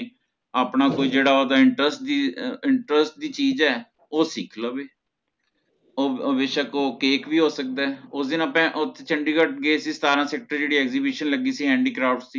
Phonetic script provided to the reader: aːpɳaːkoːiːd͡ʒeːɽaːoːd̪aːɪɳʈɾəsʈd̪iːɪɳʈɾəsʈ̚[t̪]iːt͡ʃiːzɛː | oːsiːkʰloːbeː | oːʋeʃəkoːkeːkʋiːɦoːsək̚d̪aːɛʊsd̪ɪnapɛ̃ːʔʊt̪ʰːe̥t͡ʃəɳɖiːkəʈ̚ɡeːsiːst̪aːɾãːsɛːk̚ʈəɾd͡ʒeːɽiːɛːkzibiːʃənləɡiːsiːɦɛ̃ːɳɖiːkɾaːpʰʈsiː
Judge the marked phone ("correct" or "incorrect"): incorrect